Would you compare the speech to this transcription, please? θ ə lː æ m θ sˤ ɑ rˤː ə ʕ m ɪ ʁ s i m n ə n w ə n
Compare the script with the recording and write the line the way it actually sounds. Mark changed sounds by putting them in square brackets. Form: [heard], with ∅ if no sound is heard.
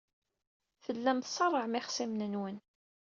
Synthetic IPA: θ ə lː æ m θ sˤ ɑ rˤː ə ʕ m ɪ [χ] s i m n ə n w ə n

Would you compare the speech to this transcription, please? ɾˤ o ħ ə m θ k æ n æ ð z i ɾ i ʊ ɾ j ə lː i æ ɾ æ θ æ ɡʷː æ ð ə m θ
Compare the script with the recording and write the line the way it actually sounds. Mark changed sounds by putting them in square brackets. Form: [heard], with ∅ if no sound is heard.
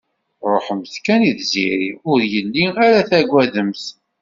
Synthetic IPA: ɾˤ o ħ ə m θ k æ n [i] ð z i ɾ i ʊ ɾ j ə lː i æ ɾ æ θ æ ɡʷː æ ð ə m θ

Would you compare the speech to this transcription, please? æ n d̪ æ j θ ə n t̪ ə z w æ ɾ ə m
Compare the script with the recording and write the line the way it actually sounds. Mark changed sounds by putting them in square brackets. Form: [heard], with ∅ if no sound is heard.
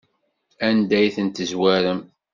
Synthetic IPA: æ n d̪ æ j θ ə n t̪ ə z w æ ɾ ə m

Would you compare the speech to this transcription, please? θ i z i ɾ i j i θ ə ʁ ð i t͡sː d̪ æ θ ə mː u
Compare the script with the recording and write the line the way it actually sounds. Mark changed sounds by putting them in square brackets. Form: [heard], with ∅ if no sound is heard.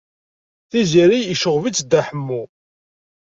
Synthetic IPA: θ i z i ɾ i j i [ʃ] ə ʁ [v] i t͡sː d̪ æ [ħ] ə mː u

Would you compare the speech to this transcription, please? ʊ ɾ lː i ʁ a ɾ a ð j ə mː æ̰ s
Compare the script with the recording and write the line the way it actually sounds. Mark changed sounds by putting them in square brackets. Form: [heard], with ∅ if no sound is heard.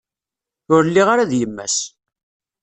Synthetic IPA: ʊ ɾ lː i ʁ a ɾ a ð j ə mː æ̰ s

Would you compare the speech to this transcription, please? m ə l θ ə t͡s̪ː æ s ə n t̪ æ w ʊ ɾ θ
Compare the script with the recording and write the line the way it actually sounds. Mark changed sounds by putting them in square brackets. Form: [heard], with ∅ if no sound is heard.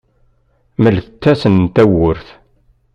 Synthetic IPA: m ə l θ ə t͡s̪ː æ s ə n t̪ æ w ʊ ɾ θ

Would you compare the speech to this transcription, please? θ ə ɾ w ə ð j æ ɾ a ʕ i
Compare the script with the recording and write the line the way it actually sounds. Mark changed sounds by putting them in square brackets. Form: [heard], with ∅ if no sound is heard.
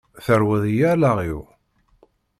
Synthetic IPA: θ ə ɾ w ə ð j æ [l] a [ʁ] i

